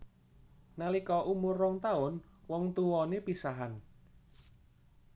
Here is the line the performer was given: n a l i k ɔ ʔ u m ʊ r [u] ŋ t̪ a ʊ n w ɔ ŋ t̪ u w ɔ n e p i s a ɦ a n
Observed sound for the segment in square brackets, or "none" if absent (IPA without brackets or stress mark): ɔ